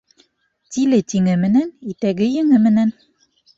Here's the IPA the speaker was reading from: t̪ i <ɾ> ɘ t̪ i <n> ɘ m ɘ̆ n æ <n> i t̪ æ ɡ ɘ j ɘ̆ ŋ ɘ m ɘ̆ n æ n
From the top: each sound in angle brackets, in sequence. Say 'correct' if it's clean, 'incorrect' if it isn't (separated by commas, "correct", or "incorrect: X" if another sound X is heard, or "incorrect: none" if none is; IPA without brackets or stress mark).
incorrect: l, incorrect: ŋ, correct